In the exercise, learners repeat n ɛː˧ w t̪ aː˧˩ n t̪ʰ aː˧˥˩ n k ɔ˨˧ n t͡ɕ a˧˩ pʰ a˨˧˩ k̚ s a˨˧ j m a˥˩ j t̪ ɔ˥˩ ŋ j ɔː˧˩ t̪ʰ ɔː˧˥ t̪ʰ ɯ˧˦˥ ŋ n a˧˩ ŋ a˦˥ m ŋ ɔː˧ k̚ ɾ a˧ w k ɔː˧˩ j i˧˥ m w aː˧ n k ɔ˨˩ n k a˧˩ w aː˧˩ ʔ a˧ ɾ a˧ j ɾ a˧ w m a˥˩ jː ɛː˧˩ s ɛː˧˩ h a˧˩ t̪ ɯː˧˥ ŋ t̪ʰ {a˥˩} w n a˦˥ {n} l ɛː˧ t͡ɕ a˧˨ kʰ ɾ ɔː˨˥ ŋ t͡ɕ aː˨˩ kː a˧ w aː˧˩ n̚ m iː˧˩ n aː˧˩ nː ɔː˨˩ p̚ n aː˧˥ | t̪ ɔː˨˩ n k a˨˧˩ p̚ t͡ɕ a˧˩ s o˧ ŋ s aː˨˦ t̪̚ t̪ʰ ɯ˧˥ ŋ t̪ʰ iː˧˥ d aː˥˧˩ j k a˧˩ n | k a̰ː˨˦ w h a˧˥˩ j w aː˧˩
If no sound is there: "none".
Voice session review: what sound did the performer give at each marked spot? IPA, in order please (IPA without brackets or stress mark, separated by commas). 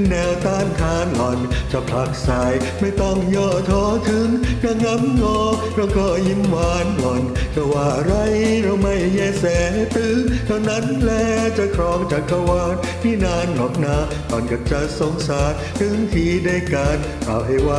a˧, n